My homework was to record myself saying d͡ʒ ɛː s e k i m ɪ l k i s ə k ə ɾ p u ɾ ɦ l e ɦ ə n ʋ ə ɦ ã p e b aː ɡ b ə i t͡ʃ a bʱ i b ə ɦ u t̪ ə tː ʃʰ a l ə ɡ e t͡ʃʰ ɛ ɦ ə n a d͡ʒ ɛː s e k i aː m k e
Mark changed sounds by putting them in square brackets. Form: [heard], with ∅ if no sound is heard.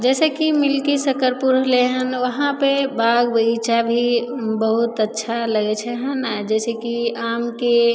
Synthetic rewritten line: d͡ʒ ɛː s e k i m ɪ l k i s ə k ə ɾ p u ɾ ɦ l e ɦ ə n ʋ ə ɦ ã p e b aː ɡ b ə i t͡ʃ a bʱ i b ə ɦ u t̪ ə tː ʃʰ a l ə ɡ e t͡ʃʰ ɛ ɦ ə n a d͡ʒ ɛː s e k i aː m k e